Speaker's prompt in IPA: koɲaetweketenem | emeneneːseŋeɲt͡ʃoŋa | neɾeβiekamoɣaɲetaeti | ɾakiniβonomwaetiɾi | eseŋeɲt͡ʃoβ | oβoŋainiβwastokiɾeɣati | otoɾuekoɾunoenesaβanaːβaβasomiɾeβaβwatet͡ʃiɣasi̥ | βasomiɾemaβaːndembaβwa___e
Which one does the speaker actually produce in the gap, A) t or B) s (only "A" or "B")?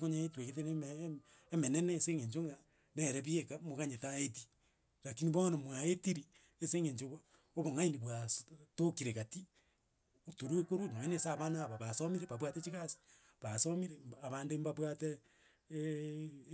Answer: A